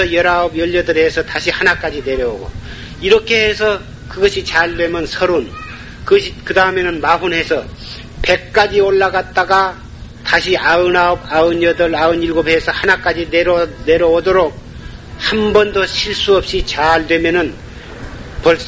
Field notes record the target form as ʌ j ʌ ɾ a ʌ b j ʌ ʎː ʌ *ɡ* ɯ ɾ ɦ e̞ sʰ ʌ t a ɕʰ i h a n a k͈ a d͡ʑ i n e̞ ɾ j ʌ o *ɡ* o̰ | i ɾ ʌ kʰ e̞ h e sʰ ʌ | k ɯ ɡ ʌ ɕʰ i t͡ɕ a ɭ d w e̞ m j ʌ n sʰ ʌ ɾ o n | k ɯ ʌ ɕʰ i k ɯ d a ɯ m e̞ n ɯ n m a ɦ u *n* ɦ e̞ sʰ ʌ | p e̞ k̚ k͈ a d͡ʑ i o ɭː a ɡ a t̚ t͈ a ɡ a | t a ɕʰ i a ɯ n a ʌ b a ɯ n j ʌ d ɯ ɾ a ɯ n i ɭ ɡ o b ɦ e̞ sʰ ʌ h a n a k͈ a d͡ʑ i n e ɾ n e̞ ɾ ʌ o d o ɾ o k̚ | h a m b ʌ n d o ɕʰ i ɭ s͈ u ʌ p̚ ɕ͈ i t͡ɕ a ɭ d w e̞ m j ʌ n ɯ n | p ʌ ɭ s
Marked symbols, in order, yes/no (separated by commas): no, yes, yes